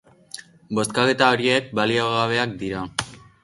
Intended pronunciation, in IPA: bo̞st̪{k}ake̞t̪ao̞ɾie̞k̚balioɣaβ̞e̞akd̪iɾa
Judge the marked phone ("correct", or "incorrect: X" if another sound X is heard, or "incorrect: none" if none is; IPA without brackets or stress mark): correct